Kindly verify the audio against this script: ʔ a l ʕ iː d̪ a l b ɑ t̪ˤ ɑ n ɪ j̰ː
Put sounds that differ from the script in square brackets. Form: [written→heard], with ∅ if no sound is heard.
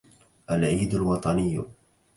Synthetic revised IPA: ʔ a l ʕ iː d̪ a l [b→w] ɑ t̪ˤ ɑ n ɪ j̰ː

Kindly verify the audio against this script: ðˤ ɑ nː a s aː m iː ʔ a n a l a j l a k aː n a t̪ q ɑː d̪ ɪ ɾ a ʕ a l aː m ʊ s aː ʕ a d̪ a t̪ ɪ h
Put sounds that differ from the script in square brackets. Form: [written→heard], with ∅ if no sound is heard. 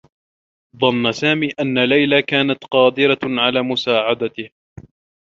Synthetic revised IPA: ðˤ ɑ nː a s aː m iː ʔ a [n→nː] a l a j l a k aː n a t̪ q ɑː d̪ ɪ ɾ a ʕ a l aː m ʊ s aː ʕ a d̪ a t̪ ɪ h

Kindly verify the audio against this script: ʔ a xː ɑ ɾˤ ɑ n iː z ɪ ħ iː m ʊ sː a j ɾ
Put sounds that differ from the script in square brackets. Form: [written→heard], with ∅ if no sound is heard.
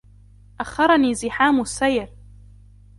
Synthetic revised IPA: ʔ a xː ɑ ɾˤ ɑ n iː z ɪ ħ [iː→aː] m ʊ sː a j ɾ

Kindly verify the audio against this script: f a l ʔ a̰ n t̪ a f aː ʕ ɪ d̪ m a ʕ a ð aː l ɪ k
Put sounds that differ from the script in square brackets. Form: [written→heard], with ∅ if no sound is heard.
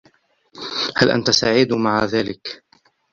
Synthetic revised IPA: [f→h] a l ʔ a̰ n t̪ a [f→s] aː ʕ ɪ d̪ m a ʕ a ð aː l ɪ k

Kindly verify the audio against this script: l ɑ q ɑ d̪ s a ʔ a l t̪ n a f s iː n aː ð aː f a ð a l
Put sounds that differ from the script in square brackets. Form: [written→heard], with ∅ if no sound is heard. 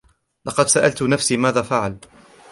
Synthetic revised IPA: l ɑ q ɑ d̪ s a ʔ a l t̪ n a f s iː [n→m] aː ð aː f a [ð→ʕ] a l

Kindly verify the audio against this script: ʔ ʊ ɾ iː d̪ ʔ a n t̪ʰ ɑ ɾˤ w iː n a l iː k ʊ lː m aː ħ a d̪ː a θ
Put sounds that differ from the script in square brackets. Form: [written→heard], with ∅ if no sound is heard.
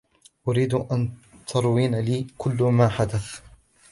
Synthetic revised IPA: ʔ ʊ ɾ iː d̪ ʔ a n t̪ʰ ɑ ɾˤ w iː n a l iː k ʊ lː m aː ħ a [d̪ː→d̪] a θ

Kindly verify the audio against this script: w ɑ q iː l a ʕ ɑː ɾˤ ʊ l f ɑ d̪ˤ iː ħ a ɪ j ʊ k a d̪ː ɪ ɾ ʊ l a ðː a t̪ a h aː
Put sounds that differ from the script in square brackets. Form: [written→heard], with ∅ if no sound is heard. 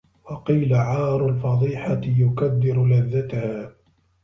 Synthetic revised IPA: w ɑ q iː l a ʕ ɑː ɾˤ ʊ l f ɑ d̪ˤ iː ħ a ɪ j ʊ k a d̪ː ɪ ɾ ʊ l a ðː a t̪ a h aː

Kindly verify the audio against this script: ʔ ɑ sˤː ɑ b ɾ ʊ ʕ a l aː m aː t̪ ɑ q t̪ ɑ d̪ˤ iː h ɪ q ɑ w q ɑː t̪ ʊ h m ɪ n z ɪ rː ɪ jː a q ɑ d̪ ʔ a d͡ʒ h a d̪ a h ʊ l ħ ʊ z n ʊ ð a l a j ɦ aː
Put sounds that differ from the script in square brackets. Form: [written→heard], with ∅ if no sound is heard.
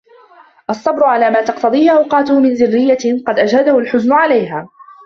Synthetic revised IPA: ʔ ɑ sˤː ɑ b ɾ ʊ ʕ a l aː m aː t̪ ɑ q t̪ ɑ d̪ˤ iː h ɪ [q→ʔ] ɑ w q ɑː t̪ ʊ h m ɪ n z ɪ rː ɪ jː a q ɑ d̪ ʔ a d͡ʒ h a d̪ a h ʊ l ħ ʊ z n ʊ [ð→ʕ] a l a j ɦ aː

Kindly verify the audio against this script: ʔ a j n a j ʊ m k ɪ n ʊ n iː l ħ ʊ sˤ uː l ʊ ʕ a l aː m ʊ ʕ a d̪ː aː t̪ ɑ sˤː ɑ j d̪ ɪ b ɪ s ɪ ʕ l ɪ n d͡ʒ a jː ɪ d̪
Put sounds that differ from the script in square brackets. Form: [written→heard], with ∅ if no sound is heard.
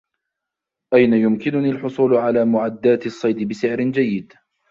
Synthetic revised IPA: ʔ a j n a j ʊ m k ɪ n ʊ n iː l ħ ʊ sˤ uː l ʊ ʕ a l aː m ʊ ʕ a d̪ː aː t̪ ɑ sˤː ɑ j d̪ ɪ b ɪ s ɪ ʕ [l→ɾ] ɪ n d͡ʒ a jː ɪ d̪

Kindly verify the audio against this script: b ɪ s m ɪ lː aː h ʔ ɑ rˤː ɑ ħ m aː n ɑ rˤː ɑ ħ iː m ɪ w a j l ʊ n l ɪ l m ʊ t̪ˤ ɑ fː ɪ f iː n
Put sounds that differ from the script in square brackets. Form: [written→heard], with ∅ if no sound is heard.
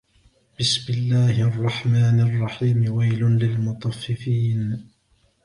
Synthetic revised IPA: b ɪ s m ɪ lː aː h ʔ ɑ rˤː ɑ ħ m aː n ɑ rˤː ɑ ħ iː m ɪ w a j l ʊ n l ɪ l m ʊ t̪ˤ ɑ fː ɪ f iː n

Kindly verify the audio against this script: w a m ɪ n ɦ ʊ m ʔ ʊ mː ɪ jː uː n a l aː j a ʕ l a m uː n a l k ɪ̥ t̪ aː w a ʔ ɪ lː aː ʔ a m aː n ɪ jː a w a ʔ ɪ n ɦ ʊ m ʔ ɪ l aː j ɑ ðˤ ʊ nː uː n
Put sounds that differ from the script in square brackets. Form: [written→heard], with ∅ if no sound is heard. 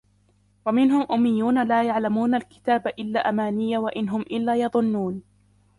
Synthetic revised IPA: w a m ɪ n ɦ ʊ m ʔ ʊ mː ɪ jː uː n a l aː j a ʕ l a m uː n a l k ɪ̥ t̪ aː [w→b] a ʔ ɪ lː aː ʔ a m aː n ɪ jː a w a ʔ ɪ n ɦ ʊ m ʔ ɪ [l→lː] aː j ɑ ðˤ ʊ nː uː n

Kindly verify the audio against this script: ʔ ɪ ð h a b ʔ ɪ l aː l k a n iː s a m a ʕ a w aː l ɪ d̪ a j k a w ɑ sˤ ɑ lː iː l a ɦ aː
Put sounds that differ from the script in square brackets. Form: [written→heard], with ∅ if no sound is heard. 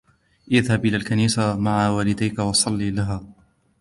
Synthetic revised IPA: ʔ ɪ ð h a b ʔ ɪ l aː l k a n iː s a m a ʕ a w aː l ɪ d̪ a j k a w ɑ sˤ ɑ lː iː l a ɦ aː

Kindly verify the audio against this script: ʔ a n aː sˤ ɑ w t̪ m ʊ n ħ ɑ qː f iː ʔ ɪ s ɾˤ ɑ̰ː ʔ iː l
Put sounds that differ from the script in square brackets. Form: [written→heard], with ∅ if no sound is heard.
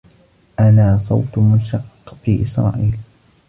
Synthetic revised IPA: ʔ a n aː sˤ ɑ w t̪ m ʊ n [ħ→ʃ] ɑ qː f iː ʔ ɪ s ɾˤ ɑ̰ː ʔ iː l

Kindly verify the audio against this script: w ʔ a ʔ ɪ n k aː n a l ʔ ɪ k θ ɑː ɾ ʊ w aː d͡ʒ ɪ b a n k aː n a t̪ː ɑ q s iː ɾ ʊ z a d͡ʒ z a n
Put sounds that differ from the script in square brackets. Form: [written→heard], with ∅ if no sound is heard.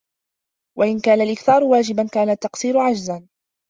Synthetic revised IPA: w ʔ a ʔ ɪ n k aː n a l ʔ ɪ k θ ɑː ɾ ʊ w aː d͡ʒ ɪ b a n k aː n a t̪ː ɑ q s iː ɾ ʊ [z→ʕ] a d͡ʒ z a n

